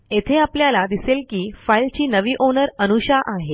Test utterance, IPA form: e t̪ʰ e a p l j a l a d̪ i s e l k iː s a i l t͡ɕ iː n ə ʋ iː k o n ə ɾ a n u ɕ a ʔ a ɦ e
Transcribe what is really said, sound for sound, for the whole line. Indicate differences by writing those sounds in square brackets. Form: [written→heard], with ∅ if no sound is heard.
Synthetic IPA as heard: e t̪ʰ e a p l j a l a d̪ i s e l k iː [s→f] a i l t͡ɕ iː n ə ʋ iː [k→ʔ] o n ə ɾ [a→ə] n u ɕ a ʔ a ɦ e

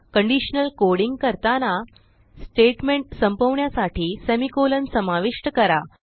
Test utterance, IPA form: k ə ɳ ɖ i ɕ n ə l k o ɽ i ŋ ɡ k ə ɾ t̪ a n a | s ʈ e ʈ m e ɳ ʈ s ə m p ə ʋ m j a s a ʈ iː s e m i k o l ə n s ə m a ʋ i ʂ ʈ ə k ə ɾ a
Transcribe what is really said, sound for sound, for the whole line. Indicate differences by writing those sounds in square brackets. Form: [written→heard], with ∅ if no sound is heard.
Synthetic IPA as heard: k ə ɳ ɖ i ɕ n ə l k o ɽ i ŋ ɡ k ə ɾ t̪ a n a | s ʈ e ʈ m e ɳ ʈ s ə m p ə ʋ [m→ɳ] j a s a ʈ iː s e m i k o l ə n s ə m a ʋ i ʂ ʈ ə k ə ɾ a

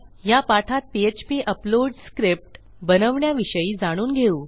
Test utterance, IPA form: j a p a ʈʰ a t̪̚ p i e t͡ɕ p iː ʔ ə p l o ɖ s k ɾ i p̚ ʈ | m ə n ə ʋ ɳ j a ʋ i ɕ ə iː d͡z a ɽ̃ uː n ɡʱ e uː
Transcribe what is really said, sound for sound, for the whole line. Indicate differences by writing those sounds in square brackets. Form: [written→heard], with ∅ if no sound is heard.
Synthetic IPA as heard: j a p a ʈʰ a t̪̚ p i e t͡ɕ p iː ʔ ə p l o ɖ s k ɾ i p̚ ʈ | [m→b] ə n ə ʋ ɳ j a ʋ i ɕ ə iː d͡z a ɽ̃ uː n ɡʱ e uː

